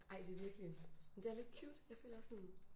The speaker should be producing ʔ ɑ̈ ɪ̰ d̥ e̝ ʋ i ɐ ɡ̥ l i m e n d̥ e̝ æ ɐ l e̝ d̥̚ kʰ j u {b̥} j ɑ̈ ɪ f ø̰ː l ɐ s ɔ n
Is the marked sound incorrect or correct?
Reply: incorrect